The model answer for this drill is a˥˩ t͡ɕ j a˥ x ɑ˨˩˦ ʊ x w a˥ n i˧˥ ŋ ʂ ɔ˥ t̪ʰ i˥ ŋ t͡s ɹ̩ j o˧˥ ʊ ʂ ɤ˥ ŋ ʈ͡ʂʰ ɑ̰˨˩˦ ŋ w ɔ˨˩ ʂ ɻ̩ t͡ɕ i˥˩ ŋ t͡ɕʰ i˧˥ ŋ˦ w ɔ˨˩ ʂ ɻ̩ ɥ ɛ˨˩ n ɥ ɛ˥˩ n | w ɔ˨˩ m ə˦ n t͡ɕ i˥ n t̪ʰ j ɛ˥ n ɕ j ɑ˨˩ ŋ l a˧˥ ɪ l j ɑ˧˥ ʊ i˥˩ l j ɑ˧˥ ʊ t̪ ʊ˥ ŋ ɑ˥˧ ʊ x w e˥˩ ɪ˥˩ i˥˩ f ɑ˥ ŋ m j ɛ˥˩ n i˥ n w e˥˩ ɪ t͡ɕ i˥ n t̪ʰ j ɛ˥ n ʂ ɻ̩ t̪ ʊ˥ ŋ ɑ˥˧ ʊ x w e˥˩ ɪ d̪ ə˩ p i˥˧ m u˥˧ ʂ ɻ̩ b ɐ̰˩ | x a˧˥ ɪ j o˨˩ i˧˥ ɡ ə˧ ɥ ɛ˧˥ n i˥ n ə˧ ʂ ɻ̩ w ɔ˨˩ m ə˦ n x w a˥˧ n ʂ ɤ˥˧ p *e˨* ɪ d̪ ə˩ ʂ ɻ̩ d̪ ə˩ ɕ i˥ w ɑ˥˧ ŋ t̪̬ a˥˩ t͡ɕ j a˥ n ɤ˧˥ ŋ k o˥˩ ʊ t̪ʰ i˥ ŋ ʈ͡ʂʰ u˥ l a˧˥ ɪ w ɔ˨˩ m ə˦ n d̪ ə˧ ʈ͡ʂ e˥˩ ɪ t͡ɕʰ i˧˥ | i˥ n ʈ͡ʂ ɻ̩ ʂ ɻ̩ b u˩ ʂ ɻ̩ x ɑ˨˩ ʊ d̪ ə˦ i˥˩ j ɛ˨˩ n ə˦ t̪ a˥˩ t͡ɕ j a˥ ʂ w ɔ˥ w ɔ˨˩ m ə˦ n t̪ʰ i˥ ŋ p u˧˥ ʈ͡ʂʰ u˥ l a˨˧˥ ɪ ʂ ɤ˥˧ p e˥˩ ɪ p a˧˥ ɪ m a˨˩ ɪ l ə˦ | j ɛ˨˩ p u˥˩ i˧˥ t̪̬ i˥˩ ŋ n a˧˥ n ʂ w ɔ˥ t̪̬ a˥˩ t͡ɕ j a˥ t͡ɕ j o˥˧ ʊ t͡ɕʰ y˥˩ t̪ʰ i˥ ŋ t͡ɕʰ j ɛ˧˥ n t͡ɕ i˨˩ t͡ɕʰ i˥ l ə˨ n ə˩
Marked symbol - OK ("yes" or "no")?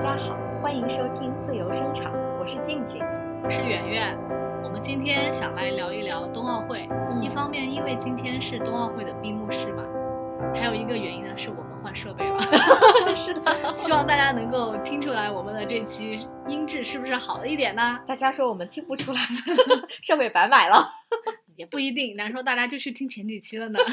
no